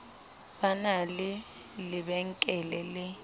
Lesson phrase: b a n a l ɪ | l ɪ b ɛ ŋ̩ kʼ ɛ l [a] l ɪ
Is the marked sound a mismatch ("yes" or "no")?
yes